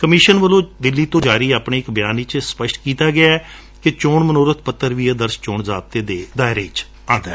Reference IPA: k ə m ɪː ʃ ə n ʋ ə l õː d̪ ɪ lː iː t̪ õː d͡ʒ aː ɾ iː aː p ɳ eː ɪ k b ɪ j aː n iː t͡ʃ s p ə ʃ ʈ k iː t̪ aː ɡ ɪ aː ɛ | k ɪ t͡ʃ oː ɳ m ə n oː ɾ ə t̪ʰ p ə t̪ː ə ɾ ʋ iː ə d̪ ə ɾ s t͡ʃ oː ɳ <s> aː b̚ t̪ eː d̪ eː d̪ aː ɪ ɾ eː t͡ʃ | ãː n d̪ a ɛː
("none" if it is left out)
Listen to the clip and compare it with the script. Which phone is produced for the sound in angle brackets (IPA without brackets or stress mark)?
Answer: z